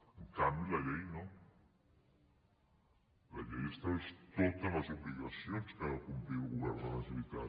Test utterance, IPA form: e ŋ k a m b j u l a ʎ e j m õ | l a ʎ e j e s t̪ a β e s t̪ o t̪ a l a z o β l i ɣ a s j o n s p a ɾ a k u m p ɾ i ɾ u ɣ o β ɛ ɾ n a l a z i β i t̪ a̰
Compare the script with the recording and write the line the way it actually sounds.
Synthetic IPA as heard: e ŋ k a m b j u l a ʎ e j n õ | l a ʎ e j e s t̪ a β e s t̪ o t̪ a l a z o β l i ɣ a s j o n s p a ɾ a k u m p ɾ i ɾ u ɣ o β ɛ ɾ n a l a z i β i t̪ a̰